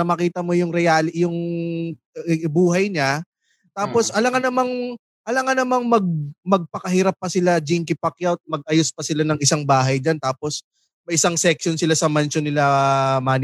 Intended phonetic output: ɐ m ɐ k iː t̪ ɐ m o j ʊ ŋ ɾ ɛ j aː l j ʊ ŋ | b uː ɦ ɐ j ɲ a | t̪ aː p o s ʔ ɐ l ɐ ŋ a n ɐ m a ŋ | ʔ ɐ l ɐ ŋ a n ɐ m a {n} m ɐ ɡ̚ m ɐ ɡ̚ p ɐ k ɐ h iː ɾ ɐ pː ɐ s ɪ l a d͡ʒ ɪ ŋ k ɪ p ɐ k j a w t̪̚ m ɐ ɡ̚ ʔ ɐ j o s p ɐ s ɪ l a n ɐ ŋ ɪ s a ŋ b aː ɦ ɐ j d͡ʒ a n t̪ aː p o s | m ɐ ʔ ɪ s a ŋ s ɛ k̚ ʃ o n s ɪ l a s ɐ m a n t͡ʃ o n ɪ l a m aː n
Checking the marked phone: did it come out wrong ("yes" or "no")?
yes